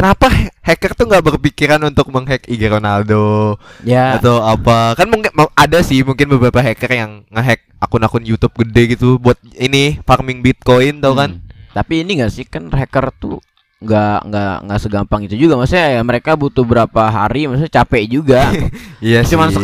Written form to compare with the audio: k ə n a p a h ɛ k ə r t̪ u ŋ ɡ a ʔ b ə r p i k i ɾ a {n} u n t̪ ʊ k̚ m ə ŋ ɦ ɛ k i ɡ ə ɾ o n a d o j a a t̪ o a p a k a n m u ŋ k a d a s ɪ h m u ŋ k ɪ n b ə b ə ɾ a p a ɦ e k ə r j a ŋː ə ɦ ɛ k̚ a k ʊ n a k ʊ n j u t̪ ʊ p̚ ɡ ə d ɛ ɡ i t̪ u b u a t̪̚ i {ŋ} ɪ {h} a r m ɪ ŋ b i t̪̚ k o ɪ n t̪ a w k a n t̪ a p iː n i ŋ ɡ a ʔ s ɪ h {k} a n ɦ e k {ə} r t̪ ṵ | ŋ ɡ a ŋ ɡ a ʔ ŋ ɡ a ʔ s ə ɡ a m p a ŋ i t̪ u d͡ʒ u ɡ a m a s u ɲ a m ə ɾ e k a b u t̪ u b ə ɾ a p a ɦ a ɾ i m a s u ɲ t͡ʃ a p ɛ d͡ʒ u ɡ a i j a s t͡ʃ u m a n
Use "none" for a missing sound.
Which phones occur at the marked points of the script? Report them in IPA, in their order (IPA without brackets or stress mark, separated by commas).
n, n, f, k, ə